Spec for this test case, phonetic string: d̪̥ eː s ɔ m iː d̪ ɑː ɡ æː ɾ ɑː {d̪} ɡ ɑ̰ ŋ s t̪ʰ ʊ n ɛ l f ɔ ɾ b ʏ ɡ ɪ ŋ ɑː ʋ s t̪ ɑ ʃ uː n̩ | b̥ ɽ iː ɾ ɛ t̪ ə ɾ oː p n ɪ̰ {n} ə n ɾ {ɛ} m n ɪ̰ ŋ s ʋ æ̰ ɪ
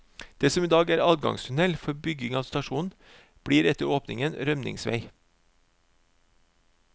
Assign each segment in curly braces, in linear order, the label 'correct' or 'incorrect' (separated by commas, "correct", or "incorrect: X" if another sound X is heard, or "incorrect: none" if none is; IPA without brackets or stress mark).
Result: correct, incorrect: ŋ, incorrect: œ